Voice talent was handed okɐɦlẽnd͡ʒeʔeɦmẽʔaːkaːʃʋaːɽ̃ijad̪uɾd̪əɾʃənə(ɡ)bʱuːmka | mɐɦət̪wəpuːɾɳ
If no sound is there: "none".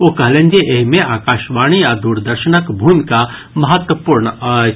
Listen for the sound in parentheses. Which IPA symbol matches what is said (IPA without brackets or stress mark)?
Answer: k